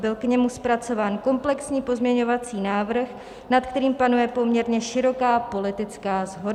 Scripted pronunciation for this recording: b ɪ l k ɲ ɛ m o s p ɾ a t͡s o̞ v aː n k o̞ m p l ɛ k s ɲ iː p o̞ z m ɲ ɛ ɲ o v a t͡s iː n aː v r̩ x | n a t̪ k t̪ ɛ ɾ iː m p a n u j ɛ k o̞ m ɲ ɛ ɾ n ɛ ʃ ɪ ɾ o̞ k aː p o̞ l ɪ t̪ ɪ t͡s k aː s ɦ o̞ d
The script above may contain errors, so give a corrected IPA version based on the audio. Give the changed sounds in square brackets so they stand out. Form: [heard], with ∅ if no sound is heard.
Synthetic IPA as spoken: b ɪ l k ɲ ɛ m [u] s p ɾ a t͡s o̞ v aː n k o̞ m p l ɛ k s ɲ iː p o̞ z m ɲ ɛ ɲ o v a t͡s iː n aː v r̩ x | n a t̪ k t̪ ɛ ɾ iː m p a n u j ɛ [p] o̞ m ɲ ɛ ɾ [ɲ] ɛ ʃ ɪ ɾ o̞ k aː p o̞ l ɪ t̪ ɪ t͡s k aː [z] ɦ o̞ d